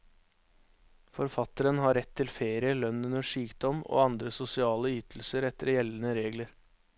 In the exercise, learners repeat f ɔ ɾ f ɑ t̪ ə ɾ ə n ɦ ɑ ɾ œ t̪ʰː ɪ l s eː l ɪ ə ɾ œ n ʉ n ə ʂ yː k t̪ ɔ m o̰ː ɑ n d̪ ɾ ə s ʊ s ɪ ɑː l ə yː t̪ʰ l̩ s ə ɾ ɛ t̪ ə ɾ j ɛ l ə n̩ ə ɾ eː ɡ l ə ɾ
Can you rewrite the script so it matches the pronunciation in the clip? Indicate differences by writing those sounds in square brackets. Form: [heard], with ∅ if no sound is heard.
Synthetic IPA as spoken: f ɔ ɾ f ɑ t̪ ə ɾ ə n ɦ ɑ ɾ [ɛ] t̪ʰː ɪ l [f] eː [ɾ] ɪ ə [l] œ n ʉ n ə ʂ yː k [d̪] ɔ m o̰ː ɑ n d̪ ɾ ə s ʊ s ɪ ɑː l ə yː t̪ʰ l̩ s ə ɾ ɛ t̪ ə ɾ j ɛ l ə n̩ ə ɾ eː ɡ l ə ɾ